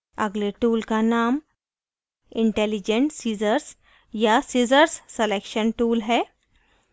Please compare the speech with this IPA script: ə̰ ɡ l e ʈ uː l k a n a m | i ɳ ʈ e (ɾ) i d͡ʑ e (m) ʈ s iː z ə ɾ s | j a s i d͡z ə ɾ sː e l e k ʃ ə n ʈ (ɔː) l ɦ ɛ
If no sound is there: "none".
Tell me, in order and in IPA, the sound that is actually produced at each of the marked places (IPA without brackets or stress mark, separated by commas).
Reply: l, ɳ, uː